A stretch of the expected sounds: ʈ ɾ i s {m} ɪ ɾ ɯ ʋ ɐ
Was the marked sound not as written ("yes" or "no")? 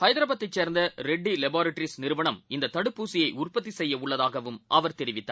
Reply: yes